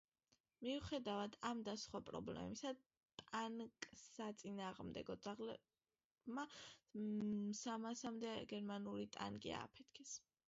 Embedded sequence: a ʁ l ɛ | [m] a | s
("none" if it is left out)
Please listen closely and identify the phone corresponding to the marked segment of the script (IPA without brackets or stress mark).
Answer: m